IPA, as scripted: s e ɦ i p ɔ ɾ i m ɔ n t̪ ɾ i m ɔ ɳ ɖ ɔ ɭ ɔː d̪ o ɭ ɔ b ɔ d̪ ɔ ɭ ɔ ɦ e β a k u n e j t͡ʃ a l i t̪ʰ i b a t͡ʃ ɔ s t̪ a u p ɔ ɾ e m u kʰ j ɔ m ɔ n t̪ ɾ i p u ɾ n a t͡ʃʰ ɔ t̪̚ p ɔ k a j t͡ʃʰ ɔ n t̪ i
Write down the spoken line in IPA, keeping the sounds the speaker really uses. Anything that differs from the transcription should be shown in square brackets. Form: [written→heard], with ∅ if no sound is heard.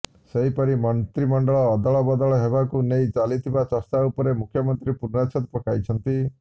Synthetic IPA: s e ɦ i p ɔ ɾ i m ɔ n t̪ ɾ i m ɔ ɳ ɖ ɔ ɭ ɔː d̪ [o→ɔ] ɭ ɔ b ɔ d̪ ɔ ɭ ɔ ɦ e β a k u n e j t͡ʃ a l i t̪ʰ i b a t͡ʃ ɔ s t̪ a u p ɔ ɾ e m u kʰ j ɔ m ɔ n t̪ ɾ i p u ɾ n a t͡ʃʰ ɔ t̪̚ p ɔ k a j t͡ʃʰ ɔ n t̪ i